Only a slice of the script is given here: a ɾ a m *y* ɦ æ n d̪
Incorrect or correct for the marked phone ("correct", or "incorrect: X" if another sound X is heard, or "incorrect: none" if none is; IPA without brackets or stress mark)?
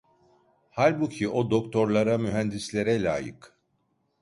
correct